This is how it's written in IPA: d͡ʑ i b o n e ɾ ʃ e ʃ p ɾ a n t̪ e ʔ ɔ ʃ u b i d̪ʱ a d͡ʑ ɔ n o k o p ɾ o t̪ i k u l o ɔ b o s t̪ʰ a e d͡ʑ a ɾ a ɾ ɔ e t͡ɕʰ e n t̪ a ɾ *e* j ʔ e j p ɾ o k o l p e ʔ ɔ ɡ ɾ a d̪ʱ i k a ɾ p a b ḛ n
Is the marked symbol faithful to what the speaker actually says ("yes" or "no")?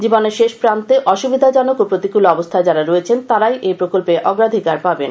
no